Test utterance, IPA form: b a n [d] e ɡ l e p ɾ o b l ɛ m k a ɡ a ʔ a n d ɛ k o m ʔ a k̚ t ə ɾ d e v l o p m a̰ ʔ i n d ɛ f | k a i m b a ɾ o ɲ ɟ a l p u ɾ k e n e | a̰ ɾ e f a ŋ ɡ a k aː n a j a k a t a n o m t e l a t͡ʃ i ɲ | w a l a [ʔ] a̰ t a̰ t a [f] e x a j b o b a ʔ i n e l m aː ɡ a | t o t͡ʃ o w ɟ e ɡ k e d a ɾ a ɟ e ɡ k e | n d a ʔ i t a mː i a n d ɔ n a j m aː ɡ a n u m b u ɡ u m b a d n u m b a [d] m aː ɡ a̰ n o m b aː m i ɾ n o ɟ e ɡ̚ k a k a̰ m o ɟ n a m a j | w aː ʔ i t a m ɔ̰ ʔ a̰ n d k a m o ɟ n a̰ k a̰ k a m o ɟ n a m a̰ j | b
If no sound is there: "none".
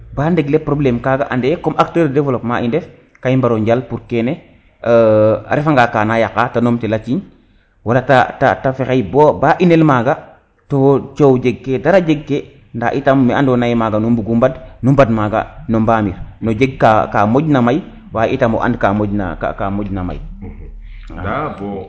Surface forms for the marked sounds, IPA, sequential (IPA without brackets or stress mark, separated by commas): d, t, f, d